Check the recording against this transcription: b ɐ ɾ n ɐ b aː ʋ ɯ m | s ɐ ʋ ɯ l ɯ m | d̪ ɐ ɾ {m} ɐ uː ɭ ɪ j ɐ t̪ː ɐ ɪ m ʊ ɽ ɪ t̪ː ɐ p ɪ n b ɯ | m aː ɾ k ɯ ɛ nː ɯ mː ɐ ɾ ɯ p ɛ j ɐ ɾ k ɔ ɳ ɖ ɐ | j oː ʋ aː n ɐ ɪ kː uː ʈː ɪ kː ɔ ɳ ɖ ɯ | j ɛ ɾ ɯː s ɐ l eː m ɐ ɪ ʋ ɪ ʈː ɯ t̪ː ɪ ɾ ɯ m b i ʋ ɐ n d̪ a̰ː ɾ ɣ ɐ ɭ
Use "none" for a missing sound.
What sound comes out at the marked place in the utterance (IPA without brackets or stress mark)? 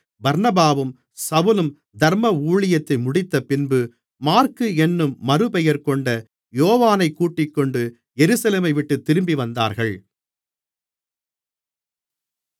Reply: m